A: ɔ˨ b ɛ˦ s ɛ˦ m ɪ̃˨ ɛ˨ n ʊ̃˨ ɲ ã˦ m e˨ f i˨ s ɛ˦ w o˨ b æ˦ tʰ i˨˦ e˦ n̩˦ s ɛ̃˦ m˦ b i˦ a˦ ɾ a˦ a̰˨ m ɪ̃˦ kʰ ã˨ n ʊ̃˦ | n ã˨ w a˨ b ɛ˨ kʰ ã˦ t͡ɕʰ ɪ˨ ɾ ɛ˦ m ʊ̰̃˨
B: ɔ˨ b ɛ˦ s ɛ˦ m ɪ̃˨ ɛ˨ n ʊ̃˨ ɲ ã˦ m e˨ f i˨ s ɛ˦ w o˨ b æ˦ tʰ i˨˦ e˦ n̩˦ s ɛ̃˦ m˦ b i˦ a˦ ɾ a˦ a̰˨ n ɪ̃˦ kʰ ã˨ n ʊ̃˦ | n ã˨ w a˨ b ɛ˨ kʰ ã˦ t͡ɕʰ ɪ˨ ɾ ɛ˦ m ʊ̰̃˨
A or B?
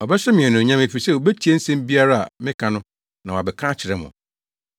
A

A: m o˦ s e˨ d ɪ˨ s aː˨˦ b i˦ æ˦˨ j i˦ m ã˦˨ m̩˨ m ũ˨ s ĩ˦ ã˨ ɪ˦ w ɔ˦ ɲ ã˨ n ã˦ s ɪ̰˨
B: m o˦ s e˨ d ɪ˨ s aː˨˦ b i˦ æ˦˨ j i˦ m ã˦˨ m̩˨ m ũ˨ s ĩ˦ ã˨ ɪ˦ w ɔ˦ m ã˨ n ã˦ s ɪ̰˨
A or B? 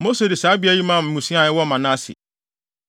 B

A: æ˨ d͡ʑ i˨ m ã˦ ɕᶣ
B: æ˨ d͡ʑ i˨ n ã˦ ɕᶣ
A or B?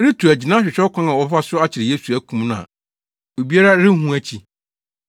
B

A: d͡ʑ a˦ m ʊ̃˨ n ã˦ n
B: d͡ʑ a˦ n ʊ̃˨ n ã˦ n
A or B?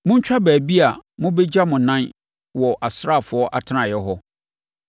A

